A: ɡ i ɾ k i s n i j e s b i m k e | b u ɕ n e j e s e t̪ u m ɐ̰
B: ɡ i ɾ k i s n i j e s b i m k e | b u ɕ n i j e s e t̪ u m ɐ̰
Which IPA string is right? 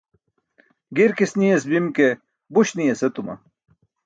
B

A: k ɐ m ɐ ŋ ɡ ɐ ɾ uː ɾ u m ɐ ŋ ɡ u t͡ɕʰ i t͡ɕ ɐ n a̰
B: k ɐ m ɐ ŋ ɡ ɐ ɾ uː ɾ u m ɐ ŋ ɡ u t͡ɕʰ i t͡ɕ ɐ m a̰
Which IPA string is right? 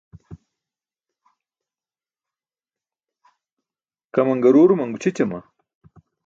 B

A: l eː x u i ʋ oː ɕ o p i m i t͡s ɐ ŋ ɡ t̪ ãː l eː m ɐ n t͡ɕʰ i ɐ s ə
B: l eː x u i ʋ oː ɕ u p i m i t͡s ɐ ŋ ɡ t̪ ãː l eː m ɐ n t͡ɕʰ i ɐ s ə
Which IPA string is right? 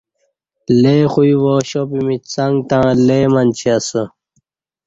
A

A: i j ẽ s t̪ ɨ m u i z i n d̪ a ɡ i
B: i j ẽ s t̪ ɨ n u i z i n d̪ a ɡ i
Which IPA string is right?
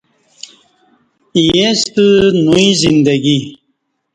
B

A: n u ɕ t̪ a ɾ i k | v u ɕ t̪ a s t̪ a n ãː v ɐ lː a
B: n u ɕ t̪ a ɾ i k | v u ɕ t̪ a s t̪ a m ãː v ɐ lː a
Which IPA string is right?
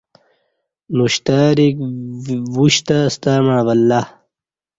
B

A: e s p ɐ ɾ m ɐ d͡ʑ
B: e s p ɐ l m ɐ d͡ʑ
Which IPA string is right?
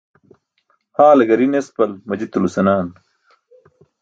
B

